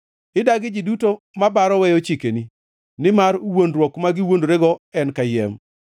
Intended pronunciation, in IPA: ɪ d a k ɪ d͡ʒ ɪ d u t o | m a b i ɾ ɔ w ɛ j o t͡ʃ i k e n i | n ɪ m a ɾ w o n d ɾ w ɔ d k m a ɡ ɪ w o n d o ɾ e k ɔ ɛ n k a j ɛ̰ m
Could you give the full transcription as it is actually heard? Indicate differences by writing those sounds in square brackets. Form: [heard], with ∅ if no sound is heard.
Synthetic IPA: ɪ d a [ɡ] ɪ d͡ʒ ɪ d u t o | m a b [a] ɾ ɔ w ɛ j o t͡ʃ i k e n i | n ɪ m a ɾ w o n d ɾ w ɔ [∅] k m a ɡ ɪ w o n d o ɾ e [ɡ] ɔ ɛ n k a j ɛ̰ m